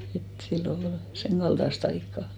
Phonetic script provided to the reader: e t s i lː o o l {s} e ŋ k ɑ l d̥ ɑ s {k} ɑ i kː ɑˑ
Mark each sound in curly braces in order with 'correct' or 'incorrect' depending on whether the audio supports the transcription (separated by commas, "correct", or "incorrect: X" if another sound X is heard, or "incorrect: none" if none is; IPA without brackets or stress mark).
correct, incorrect: t